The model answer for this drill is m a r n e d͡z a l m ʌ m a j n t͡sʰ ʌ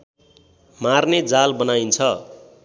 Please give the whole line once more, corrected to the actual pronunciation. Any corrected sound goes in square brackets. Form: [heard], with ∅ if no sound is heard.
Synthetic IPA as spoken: m a r n e d͡z a l [b] ʌ [n] a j n t͡sʰ ʌ